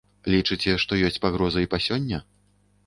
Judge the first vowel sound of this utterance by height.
high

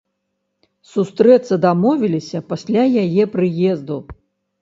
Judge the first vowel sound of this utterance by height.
high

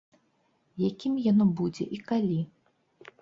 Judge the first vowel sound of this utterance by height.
low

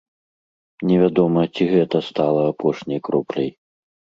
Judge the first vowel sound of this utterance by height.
mid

